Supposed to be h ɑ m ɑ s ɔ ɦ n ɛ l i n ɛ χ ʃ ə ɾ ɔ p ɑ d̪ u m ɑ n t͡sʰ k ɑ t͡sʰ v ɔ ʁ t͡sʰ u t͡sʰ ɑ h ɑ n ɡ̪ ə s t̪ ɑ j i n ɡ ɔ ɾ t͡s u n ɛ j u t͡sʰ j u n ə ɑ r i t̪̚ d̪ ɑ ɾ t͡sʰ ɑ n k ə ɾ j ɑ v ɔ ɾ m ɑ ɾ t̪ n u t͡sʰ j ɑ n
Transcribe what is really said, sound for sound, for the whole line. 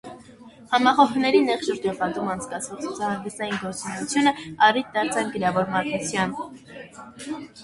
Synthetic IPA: h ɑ m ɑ χ ɔ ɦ n ɛ ɾ i n ɛ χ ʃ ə ɾ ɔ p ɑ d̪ u m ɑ n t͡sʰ k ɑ t͡sʰ v ɔ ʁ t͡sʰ u t͡sʰ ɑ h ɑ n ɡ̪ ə s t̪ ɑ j i n ɡ ɔ ɾ t͡s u n ɛ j u t͡sʰ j u n ə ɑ r i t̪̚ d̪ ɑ ɾ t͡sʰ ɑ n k ə ɾ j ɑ v ɔ ɾ m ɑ ɾ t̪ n u t͡sʰ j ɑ n